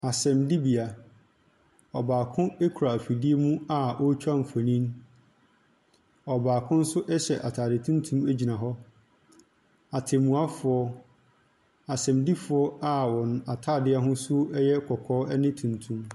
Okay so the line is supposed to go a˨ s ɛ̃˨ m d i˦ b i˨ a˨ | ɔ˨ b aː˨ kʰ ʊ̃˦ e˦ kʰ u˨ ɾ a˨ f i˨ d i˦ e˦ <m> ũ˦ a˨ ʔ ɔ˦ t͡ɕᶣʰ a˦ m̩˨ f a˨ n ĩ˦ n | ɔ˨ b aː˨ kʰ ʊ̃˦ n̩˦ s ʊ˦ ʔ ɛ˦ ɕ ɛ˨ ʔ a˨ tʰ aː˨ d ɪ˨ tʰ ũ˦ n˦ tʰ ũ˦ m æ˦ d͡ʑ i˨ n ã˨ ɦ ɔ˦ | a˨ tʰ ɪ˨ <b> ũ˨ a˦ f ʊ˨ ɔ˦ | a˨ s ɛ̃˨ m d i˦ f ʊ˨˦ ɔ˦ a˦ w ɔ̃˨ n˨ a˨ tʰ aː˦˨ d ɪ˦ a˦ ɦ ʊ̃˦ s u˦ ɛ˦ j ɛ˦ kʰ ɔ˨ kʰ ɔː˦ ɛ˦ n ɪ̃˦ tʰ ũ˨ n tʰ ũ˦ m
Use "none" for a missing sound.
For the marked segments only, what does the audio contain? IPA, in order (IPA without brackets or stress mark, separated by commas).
m, m